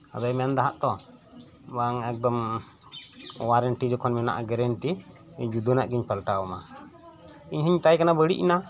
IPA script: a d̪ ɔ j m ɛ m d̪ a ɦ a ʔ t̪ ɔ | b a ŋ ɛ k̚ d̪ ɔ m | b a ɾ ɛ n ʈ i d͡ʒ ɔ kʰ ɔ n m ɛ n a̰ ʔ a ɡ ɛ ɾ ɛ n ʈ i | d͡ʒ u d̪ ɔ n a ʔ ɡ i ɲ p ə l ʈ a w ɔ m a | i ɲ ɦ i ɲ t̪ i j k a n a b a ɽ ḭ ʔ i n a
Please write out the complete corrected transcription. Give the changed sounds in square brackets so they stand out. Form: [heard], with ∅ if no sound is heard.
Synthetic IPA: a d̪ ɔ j m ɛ [n] d̪ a ɦ a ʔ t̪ ɔ | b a ŋ ɛ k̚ d̪ ɔ m | [w] a ɾ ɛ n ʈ i d͡ʒ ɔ kʰ ɔ n m ɛ n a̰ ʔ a ɡ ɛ ɾ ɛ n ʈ i | d͡ʒ u d̪ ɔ n a ʔ ɡ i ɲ p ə l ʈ a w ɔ m a | i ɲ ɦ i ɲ t̪ [a] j k a n a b [ə] ɽ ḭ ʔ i n a